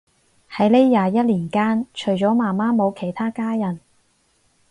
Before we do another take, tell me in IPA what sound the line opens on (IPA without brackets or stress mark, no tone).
h